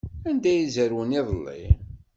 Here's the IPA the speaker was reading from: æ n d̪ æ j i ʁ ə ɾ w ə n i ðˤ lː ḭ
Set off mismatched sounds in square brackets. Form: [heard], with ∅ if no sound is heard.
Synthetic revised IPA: æ n d̪ æ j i [z] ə ɾ w ə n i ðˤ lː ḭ